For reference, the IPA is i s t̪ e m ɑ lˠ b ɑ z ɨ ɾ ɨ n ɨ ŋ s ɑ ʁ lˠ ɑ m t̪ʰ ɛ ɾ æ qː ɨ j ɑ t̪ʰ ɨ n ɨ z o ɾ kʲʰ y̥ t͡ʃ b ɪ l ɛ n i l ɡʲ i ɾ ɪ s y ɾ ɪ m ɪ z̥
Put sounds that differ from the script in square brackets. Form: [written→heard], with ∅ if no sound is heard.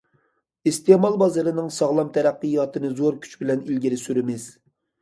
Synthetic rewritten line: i s t̪ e m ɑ lˠ b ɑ z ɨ ɾ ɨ n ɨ ŋ s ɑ ʁ lˠ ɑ m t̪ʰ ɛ ɾ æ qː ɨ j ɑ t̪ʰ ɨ n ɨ z o ɾ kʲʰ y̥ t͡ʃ b ɪ l ɛ n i l ɡʲ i ɾ ɪ s y ɾ ɪ m ɪ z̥